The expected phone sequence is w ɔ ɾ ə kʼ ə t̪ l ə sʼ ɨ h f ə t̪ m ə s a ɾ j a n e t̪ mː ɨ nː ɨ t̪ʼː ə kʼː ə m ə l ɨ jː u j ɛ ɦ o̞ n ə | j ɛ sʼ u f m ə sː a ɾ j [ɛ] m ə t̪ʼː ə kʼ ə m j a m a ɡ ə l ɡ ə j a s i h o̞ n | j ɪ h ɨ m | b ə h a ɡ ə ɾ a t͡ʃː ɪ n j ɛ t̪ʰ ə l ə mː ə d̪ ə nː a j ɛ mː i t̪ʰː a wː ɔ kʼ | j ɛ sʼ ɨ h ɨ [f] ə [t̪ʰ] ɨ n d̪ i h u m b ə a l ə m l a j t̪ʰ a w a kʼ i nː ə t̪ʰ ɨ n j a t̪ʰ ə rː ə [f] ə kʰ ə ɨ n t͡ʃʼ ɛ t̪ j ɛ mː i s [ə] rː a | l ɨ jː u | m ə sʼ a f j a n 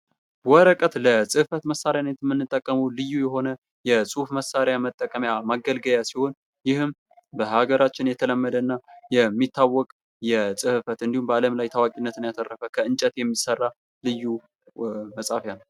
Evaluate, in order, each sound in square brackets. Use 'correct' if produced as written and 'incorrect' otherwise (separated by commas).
incorrect, correct, incorrect, correct, correct